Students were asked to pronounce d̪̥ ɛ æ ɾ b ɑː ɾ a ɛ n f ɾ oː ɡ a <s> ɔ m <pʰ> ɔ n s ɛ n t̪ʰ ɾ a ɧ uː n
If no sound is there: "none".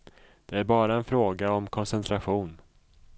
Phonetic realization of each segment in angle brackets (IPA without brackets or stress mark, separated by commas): none, kʰ